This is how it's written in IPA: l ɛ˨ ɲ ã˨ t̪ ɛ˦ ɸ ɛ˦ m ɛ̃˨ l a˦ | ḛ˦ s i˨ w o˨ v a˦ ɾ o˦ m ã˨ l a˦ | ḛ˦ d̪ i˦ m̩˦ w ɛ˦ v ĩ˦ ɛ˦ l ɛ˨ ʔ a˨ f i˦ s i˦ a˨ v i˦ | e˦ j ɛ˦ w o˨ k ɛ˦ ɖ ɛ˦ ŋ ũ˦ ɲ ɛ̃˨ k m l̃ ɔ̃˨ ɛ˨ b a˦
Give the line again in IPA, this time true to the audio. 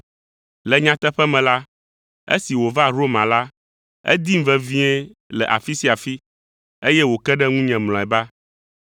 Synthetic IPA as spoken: l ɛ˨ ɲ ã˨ t̪ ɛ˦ ɸ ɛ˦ m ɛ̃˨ l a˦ | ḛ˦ s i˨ w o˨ v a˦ ɾ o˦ m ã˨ l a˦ | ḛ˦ d̪ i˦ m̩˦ v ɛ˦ v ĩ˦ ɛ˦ l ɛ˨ ʔ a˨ f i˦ s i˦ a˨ f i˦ | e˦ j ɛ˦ w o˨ k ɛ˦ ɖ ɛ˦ ŋ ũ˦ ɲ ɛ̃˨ m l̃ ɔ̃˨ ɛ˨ b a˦

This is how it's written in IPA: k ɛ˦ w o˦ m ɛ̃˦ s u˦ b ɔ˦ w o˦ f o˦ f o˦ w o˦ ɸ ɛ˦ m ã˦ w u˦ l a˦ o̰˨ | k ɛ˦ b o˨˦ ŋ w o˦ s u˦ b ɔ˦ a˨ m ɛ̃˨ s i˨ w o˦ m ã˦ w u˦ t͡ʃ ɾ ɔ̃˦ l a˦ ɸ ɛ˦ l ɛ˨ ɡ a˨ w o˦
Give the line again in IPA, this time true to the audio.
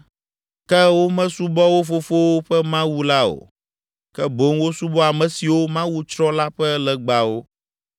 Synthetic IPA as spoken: k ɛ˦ w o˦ m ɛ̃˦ s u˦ b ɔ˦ w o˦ f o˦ f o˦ w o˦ ɸ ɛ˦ m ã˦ w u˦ l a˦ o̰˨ | k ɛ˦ b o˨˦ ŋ w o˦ s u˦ b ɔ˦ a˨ m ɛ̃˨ s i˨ w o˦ m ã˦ w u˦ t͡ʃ ɾ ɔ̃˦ l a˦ ɸ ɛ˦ l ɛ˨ ɡ͡b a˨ w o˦

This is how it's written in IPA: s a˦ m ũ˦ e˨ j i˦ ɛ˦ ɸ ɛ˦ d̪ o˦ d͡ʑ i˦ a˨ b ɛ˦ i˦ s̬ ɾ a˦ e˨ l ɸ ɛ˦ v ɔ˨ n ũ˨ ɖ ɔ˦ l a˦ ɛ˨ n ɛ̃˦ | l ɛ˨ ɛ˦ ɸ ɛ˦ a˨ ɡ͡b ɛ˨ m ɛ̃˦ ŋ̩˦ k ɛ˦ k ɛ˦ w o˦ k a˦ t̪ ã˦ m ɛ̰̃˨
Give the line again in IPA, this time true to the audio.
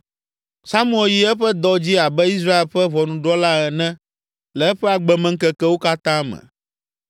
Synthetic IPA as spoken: s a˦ m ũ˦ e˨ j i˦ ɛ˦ ɸ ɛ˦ d̪ ɔ˦ d͡ʑ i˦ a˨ b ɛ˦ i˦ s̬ ɾ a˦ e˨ l ɸ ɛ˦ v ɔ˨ n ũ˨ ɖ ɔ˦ l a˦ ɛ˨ n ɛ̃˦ | l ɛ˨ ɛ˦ ɸ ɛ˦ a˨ ɡ͡b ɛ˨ m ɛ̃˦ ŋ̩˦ k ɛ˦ k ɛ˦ w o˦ k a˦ t̪ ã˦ m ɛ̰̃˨

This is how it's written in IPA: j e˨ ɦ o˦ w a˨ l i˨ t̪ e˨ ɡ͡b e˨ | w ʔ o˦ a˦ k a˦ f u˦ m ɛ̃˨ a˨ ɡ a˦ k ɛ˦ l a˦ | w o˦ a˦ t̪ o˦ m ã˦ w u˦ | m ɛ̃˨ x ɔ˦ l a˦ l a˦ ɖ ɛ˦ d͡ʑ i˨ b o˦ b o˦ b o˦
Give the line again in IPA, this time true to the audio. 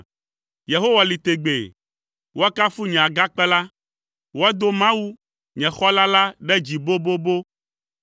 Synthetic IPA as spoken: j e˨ ɦ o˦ w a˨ l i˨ t̪ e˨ ɡ͡b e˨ | w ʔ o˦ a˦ k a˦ f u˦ ɲ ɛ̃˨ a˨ ɡ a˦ k͡p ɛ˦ l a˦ | w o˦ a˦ d̪ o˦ m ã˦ w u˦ | ɲ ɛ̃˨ x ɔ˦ l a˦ l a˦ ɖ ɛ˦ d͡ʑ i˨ b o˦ b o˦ b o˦

